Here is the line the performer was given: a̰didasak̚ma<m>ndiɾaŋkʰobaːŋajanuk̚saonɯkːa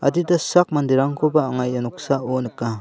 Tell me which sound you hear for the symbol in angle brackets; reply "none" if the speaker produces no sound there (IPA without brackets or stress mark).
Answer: none